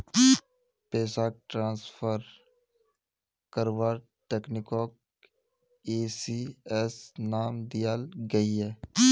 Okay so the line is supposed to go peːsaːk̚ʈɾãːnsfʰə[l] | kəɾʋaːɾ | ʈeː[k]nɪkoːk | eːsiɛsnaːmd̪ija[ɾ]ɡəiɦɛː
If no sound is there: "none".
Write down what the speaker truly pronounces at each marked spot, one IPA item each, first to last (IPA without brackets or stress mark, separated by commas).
ɾ, k, l